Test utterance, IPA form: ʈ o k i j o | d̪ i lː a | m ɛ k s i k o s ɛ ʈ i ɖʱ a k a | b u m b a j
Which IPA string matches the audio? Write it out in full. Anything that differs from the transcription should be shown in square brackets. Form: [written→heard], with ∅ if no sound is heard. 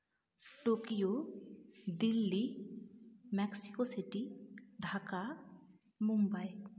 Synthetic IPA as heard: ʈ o k i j o | d̪ i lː [a→i] | m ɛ k s i k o s [ɛ→i] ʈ i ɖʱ a k a | [b→m] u m b a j